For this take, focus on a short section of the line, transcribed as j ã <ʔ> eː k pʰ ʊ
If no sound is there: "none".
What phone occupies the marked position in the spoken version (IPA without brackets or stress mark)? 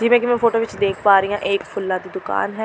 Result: ʔ